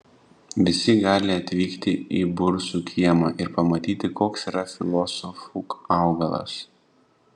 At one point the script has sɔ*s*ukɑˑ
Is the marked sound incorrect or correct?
incorrect